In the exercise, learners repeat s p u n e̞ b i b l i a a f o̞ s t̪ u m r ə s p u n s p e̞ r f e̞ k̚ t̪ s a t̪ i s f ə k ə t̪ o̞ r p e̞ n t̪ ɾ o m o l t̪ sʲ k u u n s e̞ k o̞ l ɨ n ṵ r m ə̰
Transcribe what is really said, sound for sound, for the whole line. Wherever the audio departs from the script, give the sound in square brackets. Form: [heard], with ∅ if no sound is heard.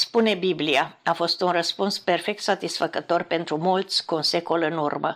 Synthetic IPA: s p u n e̞ b i b l i a a f o̞ s t̪ u [n] r ə s p u n s p e̞ r f e̞ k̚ t̪ s a t̪ i s f ə k ə t̪ o̞ r p e̞ n t̪ ɾ [u] m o l t̪ sʲ k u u n s e̞ k o̞ l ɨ n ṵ r m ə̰